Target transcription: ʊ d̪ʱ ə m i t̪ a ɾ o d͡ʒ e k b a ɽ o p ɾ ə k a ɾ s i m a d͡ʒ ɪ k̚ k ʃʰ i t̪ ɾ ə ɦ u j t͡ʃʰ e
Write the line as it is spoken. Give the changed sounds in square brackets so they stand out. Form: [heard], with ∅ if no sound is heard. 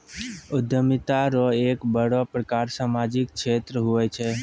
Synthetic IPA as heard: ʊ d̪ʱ ə m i t̪ a ɾ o [∅] e k b [ə] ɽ o p ɾ ə k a ɾ s [a] m a d͡ʒ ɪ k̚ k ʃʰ [e] t̪ ɾ ə ɦ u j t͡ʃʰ e